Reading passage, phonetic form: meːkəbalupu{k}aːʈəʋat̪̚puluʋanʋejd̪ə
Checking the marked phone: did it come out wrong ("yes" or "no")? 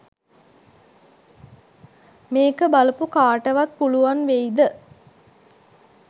no